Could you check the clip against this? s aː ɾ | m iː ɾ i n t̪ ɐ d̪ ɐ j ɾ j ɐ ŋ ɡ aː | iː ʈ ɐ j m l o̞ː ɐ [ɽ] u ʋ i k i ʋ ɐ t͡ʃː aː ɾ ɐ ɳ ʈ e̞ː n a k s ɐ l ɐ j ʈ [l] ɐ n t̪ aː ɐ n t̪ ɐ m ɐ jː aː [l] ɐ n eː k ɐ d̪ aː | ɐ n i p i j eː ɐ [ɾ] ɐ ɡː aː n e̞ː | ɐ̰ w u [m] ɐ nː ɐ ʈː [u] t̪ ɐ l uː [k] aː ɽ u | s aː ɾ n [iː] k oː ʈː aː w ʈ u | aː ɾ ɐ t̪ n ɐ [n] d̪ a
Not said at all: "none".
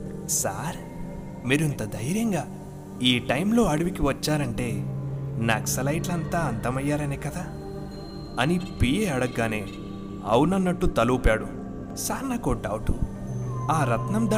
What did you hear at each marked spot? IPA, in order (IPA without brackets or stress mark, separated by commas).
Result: ɽ, l, ɾ, ɽ, n, u, p, aː, m